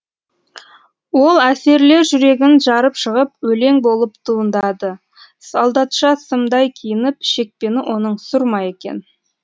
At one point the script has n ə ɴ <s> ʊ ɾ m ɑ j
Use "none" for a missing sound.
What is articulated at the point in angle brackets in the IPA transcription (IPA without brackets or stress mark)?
s